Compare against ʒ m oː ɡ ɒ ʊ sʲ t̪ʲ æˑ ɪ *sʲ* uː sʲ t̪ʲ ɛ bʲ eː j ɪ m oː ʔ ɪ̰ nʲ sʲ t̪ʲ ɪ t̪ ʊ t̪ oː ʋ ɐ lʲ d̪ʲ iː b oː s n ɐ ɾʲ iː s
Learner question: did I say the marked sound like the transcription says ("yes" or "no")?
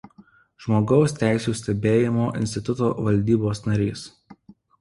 yes